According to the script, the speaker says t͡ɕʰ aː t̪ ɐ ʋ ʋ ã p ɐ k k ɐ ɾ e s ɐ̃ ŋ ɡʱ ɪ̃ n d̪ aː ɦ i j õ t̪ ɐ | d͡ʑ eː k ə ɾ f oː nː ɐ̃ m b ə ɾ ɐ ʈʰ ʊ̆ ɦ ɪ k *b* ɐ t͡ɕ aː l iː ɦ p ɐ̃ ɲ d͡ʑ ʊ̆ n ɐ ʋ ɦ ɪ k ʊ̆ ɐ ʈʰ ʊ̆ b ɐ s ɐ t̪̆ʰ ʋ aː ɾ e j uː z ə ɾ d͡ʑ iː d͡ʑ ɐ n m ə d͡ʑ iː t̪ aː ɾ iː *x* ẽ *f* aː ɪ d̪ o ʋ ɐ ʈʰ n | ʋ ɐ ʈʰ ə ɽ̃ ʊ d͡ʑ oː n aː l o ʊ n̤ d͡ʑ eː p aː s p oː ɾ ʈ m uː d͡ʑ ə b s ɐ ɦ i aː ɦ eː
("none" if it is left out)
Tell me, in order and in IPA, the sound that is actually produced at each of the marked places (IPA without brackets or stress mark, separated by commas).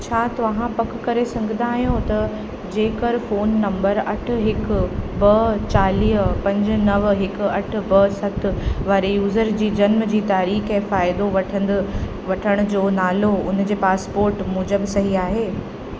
b, x, f